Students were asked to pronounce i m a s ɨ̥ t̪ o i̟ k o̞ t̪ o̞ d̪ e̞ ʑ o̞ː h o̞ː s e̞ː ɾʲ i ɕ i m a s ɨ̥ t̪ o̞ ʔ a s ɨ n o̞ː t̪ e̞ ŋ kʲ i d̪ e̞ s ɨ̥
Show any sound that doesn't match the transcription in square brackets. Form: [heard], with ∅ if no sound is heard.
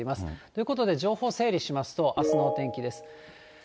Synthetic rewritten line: i m a s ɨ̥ t̪ o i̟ k o̞ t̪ o̞ d̪ e̞ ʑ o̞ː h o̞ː s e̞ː ɾʲ i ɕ i m a s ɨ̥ t̪ o̞ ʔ a s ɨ n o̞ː t̪ [ẽ̞] ŋ kʲ i d̪ e̞ s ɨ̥

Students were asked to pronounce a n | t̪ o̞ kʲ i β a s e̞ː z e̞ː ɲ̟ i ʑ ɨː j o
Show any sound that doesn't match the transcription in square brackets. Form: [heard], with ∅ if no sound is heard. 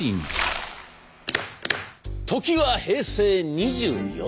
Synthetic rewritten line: [i] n | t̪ o̞ kʲ i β a [h] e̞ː [s] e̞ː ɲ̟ i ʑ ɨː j o

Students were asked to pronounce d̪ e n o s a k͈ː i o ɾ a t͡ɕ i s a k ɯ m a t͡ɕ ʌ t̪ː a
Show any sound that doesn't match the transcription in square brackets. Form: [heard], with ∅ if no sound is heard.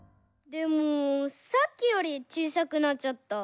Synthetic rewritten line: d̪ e [m] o s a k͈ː i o ɾ [i] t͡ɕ i s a k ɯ [n] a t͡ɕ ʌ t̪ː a

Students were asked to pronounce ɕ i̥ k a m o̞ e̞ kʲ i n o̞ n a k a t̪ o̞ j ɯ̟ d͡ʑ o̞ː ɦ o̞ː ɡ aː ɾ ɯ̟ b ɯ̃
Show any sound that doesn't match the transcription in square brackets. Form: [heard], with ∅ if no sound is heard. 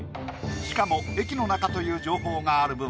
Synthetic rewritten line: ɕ i̥ k a m o̞ e̞ kʲ i n o̞ n a k a t̪ o̞ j [ɯ̟ː] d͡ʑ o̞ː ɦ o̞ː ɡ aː ɾ ɯ̟ b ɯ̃

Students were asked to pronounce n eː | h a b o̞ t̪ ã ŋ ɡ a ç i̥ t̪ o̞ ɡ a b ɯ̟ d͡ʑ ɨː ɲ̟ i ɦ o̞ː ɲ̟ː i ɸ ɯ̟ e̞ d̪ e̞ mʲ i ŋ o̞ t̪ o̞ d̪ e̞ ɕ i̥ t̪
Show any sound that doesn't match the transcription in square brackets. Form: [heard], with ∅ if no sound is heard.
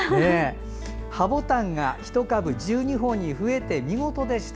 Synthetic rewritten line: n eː | h a b o̞ t̪ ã ŋ ɡ a ç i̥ t̪ o̞ [k] a b ɯ̟ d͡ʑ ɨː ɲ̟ i ɦ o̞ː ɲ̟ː i ɸ ɯ̟ e̞ [t̪] e̞ mʲ i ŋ o̞ t̪ o̞ d̪ e̞ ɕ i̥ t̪

